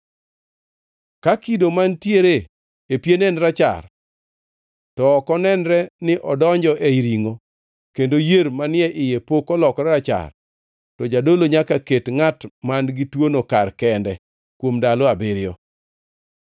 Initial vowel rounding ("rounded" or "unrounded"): unrounded